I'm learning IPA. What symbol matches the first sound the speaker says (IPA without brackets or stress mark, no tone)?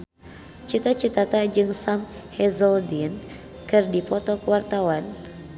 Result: t͡ʃ